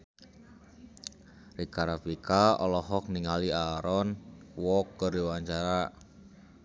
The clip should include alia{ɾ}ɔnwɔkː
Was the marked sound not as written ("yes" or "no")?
no